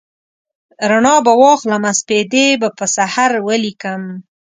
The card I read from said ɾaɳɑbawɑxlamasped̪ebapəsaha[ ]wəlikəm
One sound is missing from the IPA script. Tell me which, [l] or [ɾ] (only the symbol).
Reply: ɾ